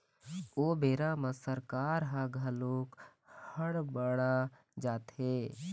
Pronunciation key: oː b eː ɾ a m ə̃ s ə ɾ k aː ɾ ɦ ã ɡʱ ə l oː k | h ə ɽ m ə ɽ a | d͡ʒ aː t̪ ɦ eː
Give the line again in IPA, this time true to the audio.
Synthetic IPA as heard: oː b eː ɾ a m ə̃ s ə ɾ k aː ɾ ɦ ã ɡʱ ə l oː k | h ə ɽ b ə ɽ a | d͡ʒ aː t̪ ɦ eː